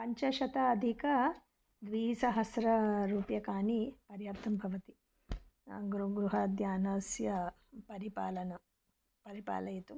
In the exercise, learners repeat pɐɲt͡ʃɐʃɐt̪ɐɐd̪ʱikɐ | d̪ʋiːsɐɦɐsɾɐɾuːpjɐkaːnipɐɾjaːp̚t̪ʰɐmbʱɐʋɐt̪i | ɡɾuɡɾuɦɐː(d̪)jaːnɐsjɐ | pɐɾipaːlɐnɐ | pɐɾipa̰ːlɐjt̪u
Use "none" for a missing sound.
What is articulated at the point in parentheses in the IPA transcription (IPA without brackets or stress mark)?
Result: d̪